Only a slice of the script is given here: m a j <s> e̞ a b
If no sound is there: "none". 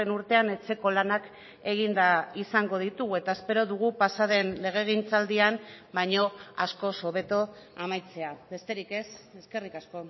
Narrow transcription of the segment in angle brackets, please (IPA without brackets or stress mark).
t͡s